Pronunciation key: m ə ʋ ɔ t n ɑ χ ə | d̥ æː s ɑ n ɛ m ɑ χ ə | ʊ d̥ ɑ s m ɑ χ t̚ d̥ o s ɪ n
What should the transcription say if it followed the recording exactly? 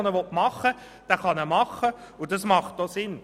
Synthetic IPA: n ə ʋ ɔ t m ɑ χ ə | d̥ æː χ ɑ n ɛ m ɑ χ ə | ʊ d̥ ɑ s m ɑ χ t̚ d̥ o s ɪ n